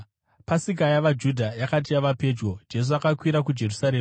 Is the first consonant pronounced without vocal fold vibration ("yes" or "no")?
yes